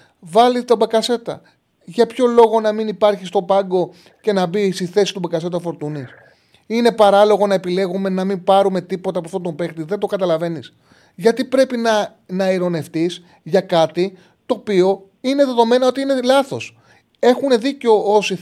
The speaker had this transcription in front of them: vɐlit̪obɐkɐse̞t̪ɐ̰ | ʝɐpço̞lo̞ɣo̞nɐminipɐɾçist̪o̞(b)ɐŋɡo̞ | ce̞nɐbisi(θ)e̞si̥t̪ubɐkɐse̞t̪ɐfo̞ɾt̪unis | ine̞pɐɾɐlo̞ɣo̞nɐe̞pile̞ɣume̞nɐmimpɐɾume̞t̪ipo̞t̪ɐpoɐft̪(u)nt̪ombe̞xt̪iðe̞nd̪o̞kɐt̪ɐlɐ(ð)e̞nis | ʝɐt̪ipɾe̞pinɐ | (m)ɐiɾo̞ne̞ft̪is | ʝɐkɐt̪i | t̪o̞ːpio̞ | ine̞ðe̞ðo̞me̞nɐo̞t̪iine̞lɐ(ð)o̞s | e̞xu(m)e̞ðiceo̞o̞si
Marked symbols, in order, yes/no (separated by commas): no, yes, no, no, no, no, no